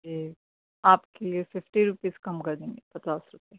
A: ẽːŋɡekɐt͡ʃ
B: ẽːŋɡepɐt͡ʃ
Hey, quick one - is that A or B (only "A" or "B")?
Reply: B